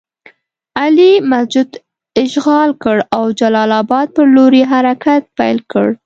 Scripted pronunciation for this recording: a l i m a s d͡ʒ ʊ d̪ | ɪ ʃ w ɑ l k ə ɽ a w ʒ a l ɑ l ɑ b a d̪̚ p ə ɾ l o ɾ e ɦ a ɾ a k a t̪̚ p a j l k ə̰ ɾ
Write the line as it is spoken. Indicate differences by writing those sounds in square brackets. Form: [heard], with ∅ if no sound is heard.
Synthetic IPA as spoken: a l i m a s d͡ʒ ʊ d̪ | ɪ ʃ [ɣ] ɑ l k ə ɽ a w [d͡ʒ] a l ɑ l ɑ b [ɑ] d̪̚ p ə ɾ l o ɾ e ɦ a ɾ a k a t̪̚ p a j l k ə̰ [ɽ]